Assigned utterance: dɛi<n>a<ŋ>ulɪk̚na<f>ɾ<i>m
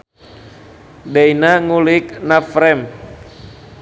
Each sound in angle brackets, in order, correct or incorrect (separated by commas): correct, correct, correct, incorrect